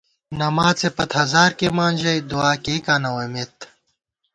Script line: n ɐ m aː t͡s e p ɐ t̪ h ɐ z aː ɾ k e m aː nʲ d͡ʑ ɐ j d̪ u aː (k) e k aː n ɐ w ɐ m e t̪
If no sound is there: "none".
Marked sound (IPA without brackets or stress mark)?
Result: k